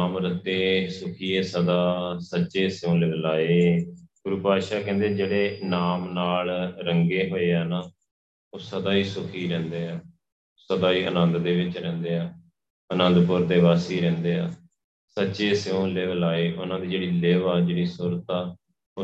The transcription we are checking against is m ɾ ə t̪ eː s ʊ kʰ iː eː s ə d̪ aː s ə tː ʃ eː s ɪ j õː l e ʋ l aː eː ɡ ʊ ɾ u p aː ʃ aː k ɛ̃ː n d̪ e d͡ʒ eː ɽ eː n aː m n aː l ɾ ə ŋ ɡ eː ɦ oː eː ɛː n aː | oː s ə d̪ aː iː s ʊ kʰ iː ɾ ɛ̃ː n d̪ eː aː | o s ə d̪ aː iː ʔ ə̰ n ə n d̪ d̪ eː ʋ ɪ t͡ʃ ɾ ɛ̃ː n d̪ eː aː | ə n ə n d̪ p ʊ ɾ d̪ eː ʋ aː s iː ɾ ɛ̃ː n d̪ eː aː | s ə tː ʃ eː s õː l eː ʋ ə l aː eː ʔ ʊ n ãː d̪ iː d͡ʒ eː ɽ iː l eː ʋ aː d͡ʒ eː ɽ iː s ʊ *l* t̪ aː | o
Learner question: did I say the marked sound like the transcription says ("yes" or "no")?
no